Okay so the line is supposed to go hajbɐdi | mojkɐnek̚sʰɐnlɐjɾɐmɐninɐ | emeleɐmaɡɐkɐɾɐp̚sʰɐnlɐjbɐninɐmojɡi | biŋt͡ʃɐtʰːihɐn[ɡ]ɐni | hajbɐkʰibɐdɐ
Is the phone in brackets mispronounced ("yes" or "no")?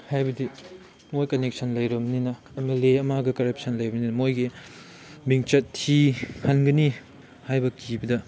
no